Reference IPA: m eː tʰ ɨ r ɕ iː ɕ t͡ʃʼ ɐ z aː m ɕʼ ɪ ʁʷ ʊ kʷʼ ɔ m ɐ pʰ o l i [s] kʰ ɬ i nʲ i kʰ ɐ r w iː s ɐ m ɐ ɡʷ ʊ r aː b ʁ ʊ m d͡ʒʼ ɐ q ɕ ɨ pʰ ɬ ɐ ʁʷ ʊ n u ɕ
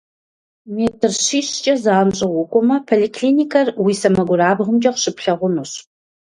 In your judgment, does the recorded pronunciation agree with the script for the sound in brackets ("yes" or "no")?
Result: no